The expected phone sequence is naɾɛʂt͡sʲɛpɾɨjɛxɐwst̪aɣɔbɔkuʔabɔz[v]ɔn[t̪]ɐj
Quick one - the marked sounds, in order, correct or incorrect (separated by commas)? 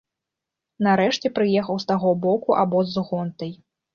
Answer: incorrect, correct